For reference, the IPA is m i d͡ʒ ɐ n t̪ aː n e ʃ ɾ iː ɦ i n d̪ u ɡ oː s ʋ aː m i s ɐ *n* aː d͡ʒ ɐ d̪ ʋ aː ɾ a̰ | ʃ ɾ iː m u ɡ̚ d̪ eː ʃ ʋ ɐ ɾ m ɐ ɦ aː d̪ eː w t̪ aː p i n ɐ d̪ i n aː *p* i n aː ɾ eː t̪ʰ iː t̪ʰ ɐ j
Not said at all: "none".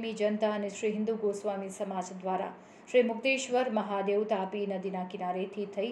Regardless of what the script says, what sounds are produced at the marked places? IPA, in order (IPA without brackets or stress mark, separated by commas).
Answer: m, k